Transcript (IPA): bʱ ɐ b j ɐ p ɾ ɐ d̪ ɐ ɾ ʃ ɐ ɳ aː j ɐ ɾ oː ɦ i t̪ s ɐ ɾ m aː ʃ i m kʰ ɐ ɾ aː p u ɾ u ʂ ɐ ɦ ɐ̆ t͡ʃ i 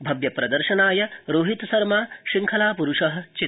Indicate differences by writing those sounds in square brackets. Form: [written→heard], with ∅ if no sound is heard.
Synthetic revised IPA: bʱ ɐ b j ɐ p ɾ ɐ d̪ ɐ ɾ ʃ ɐ [ɳ→n] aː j ɐ ɾ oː ɦ i t̪ s ɐ ɾ m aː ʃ i [m→ŋ] kʰ ɐ [ɾ→l] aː p u ɾ u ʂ ɐ ɦ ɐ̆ t͡ʃ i

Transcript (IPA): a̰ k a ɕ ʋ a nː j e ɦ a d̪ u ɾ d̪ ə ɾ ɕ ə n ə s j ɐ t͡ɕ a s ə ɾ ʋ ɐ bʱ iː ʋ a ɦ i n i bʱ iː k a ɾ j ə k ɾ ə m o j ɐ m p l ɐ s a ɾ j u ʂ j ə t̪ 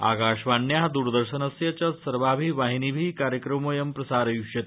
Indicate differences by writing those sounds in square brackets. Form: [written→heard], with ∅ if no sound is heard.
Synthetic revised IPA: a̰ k a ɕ ʋ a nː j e ɦ a d̪ u ɾ d̪ ə ɾ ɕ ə n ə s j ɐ t͡ɕ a s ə ɾ ʋ [ɐ→a] bʱ iː ʋ a ɦ i n i bʱ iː k a ɾ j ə k ɾ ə m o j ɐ m p [l→ɾ] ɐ s a ɾ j u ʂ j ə t̪

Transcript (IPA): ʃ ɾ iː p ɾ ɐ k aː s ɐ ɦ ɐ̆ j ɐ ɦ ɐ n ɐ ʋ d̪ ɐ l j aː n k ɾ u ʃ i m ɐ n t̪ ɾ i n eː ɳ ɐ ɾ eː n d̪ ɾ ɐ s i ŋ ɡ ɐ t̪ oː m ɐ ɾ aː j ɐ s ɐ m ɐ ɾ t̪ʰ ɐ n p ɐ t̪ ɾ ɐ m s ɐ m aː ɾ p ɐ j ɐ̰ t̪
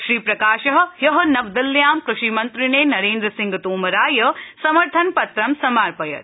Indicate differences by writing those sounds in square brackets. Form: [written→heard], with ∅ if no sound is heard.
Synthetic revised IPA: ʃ ɾ iː p ɾ ɐ k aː [s→ʃ] ɐ ɦ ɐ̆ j ɐ ɦ ɐ n ɐ ʋ d̪ ɐ l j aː [n→m] k ɾ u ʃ i m ɐ n t̪ ɾ i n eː [ɳ→n] ɐ ɾ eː n d̪ ɾ ɐ s i ŋ ɡ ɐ t̪ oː m ɐ ɾ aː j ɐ s ɐ m ɐ ɾ t̪ʰ ɐ n p ɐ t̪ ɾ ɐ m s ɐ m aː ɾ p ɐ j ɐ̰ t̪

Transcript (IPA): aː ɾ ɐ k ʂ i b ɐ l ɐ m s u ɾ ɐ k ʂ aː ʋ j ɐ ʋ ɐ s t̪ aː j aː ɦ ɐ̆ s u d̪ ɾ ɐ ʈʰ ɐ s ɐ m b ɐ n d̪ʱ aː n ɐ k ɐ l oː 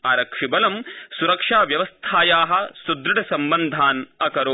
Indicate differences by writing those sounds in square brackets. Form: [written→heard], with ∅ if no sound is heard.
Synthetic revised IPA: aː ɾ ɐ k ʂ i b ɐ l ɐ m s u ɾ ɐ k ʂ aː ʋ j ɐ ʋ ɐ s [t̪→t̪ʰ] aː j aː ɦ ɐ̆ s u d̪ ɾ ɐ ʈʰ ɐ s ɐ m b ɐ n d̪ʱ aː n ɐ k ɐ [l→ɾ] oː

